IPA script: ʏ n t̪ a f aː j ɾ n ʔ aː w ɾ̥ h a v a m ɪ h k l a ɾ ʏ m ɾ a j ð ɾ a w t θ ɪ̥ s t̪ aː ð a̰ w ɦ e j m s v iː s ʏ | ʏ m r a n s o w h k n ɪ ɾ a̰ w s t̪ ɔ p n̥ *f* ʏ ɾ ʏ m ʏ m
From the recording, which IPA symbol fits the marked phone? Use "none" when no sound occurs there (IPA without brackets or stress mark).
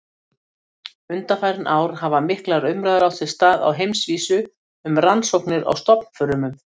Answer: f